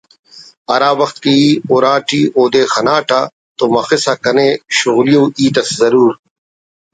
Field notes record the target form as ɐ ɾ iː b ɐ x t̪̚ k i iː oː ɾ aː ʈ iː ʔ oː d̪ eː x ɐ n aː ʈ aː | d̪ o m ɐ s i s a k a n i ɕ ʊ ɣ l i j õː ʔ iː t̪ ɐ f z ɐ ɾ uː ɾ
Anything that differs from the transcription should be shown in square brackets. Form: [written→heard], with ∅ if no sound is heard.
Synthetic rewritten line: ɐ ɾ [iː→aː] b ɐ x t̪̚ k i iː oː ɾ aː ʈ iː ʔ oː d̪ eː x ɐ n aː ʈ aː | [d̪→t̪] o m ɐ [s→x] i s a k [a→ɐ] n [i→e] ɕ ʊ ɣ l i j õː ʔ iː t̪ ɐ [f→s] z ɐ ɾ uː ɾ

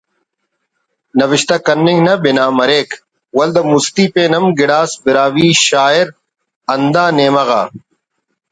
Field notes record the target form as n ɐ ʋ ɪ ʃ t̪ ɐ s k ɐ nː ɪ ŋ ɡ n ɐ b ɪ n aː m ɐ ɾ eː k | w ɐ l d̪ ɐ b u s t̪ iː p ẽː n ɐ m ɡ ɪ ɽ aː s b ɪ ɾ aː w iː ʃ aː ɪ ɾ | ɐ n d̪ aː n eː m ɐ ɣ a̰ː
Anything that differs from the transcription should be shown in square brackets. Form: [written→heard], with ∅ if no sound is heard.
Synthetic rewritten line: n ɐ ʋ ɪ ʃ t̪ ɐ [s→∅] k ɐ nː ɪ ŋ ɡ n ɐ b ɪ n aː m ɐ ɾ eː k | w ɐ l d̪ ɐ [b→m] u s t̪ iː p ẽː n ɐ m ɡ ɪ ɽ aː s b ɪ ɾ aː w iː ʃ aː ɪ ɾ | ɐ n d̪ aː n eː m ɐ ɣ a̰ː

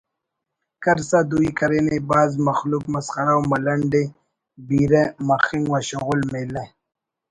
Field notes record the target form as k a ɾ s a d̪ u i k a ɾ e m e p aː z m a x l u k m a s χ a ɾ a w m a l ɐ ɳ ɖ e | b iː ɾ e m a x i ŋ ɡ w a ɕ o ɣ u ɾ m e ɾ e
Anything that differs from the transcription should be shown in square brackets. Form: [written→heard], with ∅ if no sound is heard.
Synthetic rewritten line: k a ɾ s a d̪ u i k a ɾ e [m→n] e [p→b] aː z m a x l u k m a s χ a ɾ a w m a l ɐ ɳ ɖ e | b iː ɾ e m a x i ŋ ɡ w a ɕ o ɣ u [ɾ→l] m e [ɾ→l] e

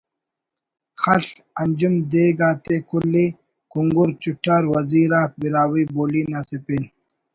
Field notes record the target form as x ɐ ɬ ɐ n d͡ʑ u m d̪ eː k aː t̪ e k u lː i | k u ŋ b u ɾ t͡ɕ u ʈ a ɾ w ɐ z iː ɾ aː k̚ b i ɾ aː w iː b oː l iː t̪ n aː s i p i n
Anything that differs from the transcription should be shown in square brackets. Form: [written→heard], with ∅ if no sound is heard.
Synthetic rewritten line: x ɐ ɬ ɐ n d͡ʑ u m d̪ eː [k→ɡ] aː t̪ e k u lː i | k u ŋ [b→ɡ] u ɾ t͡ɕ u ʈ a ɾ w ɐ z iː ɾ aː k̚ b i ɾ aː w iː b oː l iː [t̪→∅] n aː s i p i n

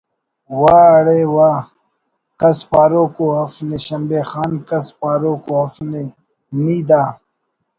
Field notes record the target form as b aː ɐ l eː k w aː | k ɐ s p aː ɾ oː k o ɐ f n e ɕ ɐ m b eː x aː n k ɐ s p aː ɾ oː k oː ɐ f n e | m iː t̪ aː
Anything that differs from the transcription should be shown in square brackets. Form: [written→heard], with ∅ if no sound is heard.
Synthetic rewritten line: [b→w] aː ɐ [l→ɽ] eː [k→∅] w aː | k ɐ s p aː ɾ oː k o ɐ f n e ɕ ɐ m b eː x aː n k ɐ s p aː ɾ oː k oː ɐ f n e | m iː [t̪→d̪] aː

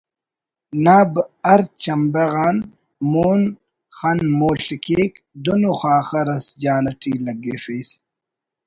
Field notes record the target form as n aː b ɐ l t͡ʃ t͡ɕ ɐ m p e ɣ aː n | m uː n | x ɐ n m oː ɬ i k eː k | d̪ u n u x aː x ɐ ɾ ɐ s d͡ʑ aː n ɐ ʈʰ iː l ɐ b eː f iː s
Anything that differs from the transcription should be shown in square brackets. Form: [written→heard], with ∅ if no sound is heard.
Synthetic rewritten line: n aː b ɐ [l→ɾ] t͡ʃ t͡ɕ ɐ m [p→b] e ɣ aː n | m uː n | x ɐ n m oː ɬ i k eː k | d̪ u n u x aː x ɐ ɾ ɐ s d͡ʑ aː n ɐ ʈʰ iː l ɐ [b→ɡ] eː f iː s

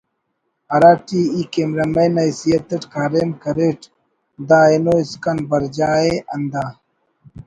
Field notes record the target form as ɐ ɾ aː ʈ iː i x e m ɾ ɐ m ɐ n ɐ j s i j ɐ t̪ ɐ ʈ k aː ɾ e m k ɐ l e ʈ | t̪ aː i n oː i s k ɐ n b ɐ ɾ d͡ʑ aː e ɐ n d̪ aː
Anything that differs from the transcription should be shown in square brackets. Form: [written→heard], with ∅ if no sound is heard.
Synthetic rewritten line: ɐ ɾ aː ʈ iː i [x→k] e m ɾ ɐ m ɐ n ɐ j s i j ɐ t̪ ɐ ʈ k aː ɾ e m k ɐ [l→ɾ] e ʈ | [t̪→d̪] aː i n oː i s k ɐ n b ɐ ɾ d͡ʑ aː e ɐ n d̪ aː

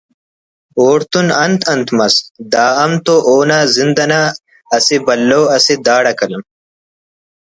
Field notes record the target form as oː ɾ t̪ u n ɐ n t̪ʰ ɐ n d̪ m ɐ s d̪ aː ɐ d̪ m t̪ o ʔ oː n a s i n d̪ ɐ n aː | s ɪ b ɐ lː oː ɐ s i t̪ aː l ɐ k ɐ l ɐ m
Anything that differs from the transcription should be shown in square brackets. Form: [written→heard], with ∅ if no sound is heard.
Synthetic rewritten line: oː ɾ t̪ u n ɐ n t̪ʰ ɐ n [d̪→t̪] m ɐ s d̪ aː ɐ [d̪→∅] m t̪ o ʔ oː n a [s→z] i n d̪ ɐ n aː | s [ɪ→i] b ɐ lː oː ɐ s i [t̪→d̪] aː [l→ɽ] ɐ k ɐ l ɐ m

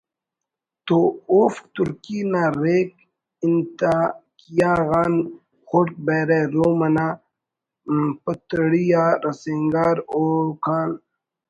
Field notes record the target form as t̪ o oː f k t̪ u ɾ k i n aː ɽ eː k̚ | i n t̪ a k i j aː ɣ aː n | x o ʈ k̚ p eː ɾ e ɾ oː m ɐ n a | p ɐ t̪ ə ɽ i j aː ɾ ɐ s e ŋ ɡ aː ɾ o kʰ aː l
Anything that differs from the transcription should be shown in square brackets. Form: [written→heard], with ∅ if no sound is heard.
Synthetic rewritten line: t̪ o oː f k t̪ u ɾ k i n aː [ɽ→ɾ] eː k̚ | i n t̪ a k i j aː ɣ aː n | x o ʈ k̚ [p→b] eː ɾ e ɾ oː m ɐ n a | p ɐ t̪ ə ɽ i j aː ɾ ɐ s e ŋ ɡ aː ɾ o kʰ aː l

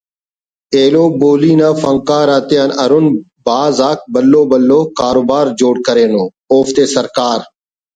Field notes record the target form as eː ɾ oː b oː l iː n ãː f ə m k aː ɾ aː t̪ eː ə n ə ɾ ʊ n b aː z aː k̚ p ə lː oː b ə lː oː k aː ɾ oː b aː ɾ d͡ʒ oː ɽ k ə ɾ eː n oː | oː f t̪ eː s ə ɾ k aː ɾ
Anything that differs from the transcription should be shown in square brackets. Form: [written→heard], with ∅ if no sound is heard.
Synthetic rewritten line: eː [ɾ→l] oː b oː l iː n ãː f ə [m→ŋ] k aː ɾ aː t̪ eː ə n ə ɾ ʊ n b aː z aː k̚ [p→b] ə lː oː b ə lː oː k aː ɾ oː b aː ɾ d͡ʒ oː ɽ k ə ɾ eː n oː | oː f t̪ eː s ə ɾ k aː ɾ

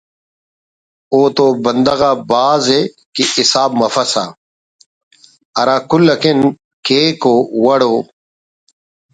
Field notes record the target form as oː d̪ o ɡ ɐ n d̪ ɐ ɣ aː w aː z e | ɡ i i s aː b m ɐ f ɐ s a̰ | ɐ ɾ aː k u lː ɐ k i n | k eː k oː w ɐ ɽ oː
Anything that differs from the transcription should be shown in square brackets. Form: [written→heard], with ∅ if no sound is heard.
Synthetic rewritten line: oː [d̪→t̪] o [ɡ→b] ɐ n d̪ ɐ ɣ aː [w→b] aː z e | [ɡ→k] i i s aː b m ɐ f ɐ s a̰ | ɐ ɾ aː k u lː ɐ k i n | k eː k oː w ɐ ɽ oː

